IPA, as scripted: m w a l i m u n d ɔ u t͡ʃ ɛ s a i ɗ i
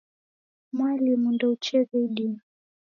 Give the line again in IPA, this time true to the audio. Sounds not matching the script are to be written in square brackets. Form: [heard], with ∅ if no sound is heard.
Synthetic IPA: m w a l i m u n d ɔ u t͡ʃ ɛ [z] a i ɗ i